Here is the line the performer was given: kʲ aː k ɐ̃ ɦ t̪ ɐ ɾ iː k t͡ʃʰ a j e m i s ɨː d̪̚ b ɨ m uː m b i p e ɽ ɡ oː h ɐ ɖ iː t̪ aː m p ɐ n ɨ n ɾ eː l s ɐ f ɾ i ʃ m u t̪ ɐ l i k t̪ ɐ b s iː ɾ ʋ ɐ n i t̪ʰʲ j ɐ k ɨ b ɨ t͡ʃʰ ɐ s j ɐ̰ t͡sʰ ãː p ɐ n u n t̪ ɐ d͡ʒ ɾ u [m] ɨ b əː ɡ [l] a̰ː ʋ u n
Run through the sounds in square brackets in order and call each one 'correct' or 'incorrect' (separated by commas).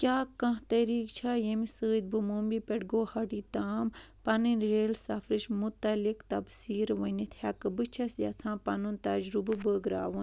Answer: incorrect, incorrect